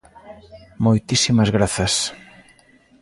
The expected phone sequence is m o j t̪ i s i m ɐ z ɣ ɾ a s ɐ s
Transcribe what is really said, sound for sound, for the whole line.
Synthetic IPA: m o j t̪ i s i m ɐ z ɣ ɾ a θ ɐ s